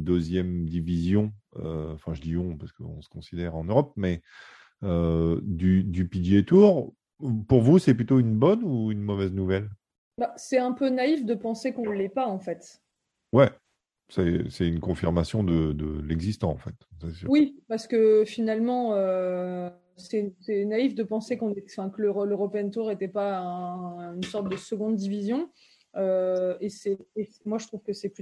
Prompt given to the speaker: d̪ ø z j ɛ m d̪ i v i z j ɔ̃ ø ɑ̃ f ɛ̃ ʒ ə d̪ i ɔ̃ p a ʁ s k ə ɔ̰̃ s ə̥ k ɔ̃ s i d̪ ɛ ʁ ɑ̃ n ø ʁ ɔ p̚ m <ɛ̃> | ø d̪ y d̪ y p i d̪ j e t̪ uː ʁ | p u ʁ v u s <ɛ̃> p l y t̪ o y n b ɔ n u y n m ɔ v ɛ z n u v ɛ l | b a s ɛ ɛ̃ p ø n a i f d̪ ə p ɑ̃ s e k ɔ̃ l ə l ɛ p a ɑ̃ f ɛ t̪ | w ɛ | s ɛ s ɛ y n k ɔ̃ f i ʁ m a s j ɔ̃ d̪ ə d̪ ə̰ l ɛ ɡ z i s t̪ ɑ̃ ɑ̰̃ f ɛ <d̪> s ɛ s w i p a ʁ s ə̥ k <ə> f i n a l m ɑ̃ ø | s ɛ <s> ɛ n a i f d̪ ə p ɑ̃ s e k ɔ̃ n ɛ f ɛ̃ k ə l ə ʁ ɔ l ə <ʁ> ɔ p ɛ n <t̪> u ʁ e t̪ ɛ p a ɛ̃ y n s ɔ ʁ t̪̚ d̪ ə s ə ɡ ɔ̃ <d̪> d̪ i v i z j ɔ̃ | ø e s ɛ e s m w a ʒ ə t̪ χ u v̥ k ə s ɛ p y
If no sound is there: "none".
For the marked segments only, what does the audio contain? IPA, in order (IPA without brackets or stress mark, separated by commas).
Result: ɛ, ɛ, t̪, ə, s, ʁ, t̪, d̪